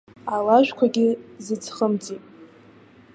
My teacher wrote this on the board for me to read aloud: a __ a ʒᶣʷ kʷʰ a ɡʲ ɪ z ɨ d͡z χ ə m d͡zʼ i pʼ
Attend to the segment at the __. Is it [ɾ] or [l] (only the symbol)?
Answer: l